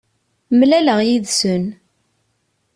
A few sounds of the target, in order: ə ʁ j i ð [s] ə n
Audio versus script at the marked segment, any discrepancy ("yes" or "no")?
no